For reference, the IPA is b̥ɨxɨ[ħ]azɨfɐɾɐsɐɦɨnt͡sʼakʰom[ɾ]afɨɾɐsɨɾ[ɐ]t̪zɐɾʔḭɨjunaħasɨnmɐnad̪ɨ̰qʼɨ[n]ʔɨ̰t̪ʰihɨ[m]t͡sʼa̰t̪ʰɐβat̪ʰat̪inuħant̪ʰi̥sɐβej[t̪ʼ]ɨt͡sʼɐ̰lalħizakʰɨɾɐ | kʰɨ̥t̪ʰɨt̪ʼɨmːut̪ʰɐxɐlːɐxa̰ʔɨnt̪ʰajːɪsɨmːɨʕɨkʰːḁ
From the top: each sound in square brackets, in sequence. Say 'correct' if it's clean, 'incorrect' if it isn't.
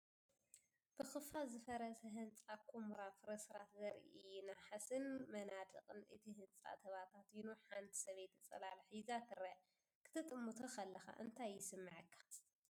incorrect, correct, incorrect, correct, incorrect, incorrect

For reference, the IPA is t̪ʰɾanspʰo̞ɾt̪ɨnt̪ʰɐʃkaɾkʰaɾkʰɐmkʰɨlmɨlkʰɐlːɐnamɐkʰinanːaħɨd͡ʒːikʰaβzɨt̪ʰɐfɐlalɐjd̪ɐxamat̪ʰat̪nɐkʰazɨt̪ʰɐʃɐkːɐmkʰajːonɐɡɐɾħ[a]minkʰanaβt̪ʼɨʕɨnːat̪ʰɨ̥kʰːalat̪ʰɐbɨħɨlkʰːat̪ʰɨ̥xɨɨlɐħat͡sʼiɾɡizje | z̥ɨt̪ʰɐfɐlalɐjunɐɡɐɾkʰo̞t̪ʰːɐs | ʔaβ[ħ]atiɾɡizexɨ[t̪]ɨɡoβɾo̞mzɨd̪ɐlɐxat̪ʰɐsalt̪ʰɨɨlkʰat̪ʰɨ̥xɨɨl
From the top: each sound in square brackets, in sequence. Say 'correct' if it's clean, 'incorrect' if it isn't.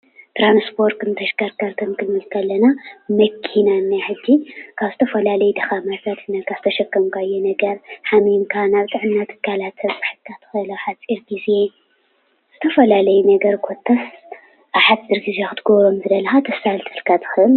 correct, correct, correct

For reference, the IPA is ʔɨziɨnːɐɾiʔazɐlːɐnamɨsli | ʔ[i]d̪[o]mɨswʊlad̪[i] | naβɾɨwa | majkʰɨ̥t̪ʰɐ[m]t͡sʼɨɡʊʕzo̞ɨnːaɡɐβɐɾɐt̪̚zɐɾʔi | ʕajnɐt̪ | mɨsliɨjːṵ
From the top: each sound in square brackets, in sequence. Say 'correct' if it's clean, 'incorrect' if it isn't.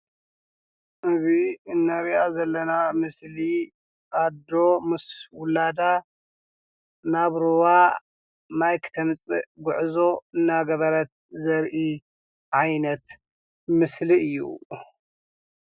incorrect, correct, incorrect, correct

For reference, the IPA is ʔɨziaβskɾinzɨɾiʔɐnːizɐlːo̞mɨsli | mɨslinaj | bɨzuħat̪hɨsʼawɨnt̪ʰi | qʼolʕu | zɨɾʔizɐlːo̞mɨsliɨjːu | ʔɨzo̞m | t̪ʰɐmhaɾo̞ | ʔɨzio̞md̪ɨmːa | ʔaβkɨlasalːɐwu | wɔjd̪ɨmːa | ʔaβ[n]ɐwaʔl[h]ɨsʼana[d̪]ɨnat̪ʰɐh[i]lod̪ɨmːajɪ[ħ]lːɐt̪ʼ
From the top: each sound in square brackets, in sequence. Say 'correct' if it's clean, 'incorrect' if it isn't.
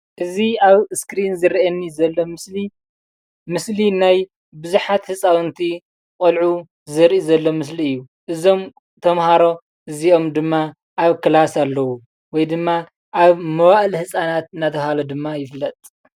incorrect, correct, incorrect, incorrect, incorrect

